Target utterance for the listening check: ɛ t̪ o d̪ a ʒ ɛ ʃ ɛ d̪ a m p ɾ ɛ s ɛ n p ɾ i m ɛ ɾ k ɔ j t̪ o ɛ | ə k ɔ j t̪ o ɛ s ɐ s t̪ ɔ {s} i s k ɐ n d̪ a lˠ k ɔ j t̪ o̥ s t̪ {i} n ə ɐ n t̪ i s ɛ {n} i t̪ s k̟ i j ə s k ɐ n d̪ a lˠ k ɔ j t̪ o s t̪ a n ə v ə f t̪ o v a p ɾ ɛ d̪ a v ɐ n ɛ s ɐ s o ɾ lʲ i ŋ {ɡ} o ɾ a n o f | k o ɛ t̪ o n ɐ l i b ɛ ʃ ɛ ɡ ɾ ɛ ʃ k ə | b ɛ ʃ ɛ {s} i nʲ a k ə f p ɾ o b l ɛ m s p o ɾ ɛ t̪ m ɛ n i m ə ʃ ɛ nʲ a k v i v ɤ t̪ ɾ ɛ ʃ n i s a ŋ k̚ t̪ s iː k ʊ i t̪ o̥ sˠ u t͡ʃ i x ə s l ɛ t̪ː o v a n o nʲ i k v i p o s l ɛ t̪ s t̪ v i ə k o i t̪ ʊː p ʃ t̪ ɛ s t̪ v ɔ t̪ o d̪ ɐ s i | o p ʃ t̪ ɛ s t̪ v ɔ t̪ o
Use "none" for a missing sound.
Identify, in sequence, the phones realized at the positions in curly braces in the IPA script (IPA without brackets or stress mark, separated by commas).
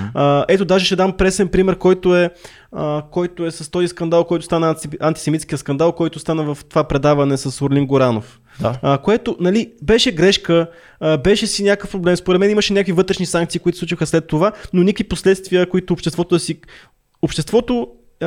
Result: z, a, m, ɡ, s